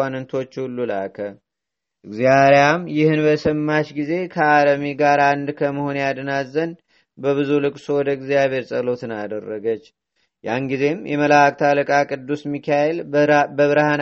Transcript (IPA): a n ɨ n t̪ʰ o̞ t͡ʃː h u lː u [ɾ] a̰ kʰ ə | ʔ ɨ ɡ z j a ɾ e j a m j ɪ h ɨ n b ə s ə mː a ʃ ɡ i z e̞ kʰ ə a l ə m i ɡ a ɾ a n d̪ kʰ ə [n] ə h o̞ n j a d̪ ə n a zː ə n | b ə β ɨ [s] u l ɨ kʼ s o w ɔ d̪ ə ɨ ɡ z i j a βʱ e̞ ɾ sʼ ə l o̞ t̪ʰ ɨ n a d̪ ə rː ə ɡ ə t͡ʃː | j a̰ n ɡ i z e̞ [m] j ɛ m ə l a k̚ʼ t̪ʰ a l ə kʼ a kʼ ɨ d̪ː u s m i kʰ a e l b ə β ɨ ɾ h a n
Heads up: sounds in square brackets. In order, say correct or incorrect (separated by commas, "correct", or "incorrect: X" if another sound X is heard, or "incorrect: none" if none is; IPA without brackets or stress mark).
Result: incorrect: l, incorrect: m, incorrect: z, correct